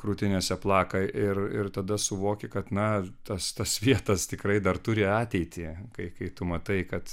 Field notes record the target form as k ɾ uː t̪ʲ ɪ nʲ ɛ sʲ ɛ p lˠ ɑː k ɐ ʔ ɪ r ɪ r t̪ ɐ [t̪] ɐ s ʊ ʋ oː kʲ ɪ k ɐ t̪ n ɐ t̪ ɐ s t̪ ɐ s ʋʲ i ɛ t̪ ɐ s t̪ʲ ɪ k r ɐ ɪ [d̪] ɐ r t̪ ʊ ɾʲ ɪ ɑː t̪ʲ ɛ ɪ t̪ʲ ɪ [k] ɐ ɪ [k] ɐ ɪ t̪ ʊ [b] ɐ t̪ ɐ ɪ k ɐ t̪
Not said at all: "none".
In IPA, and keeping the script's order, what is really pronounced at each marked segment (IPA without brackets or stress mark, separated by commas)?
d̪, d̪, k, k, m